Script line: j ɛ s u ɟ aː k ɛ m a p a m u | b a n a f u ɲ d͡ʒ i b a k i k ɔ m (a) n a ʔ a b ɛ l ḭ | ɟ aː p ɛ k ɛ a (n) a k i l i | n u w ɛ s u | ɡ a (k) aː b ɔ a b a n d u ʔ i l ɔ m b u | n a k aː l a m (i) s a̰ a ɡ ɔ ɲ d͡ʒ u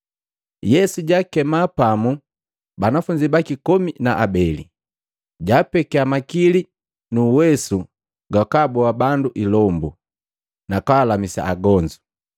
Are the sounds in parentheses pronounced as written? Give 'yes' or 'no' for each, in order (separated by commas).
no, no, yes, yes